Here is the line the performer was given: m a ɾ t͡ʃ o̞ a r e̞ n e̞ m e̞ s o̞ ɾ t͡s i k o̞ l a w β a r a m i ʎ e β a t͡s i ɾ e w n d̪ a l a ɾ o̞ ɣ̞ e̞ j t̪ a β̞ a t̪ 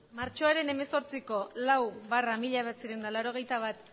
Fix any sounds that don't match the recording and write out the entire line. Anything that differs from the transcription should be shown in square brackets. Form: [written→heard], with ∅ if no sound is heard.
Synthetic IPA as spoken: m a ɾ t͡ʃ o̞ a [r→ɾ] e̞ n e̞ m e̞ s o̞ ɾ t͡s i k o̞ l a w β a r a m i ʎ [e→a] β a t͡s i ɾ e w n d̪ a l a ɾ o̞ ɣ̞ e̞ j t̪ a β̞ a t̪